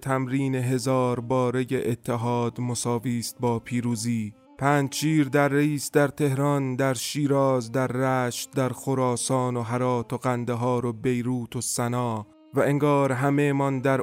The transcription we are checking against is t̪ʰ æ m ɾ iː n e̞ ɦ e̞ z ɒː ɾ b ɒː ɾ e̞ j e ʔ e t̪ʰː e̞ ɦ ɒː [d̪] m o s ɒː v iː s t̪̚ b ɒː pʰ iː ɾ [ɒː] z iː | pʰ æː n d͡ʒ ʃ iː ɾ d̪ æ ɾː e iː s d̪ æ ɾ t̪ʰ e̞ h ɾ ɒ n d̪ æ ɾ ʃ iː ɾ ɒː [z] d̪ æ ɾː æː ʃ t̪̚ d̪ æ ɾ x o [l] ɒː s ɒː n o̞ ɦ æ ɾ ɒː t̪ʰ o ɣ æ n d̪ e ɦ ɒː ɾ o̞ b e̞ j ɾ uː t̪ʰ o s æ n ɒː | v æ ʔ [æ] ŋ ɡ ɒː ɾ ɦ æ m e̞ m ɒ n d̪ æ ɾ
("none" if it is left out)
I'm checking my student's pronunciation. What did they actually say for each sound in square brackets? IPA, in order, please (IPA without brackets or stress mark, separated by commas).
d̪, uː, z, ɾ, e